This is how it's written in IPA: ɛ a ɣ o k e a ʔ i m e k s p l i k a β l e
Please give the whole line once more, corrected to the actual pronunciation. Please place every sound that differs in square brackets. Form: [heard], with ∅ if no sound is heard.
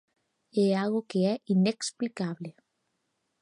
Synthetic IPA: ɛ a ɣ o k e [ɛ] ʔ i [n] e k s p l i k a β l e